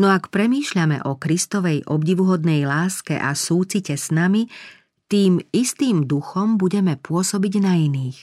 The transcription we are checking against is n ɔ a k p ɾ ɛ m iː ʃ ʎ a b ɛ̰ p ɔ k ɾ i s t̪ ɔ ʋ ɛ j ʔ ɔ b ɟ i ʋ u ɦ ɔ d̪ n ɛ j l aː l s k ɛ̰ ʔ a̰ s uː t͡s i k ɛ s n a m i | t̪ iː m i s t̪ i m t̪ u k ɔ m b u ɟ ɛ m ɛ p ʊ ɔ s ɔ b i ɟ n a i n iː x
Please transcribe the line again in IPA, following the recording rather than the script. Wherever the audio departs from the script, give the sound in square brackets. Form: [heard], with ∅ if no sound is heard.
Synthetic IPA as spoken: n ɔ a k p ɾ ɛ m iː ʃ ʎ a [m] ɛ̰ [ʔ] ɔ k ɾ i s t̪ ɔ ʋ ɛ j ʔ ɔ b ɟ i ʋ u ɦ ɔ d̪ n ɛ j l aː [∅] s k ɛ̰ ʔ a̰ s uː t͡s i [c] ɛ s n a m i | t̪ iː m i s t̪ [iː] m [d̪] u [x] ɔ m b u ɟ ɛ m ɛ p ʊ ɔ s ɔ b i ɟ n a i n iː x